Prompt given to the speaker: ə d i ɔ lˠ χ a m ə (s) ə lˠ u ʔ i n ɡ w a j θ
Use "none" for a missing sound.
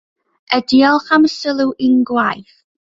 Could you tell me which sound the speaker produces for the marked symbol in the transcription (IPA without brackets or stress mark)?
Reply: s